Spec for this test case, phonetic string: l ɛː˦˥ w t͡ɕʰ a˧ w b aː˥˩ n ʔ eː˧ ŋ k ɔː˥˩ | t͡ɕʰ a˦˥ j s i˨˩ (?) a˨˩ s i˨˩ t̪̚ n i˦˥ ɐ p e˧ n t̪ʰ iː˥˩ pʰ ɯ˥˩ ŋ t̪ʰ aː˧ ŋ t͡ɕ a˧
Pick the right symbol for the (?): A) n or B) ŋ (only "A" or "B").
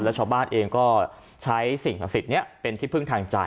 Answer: B